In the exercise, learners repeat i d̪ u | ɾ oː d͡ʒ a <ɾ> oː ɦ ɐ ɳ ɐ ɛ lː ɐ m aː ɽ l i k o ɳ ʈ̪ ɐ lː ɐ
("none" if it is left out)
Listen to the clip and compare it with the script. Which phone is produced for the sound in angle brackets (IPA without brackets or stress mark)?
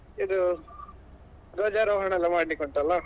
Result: ɾ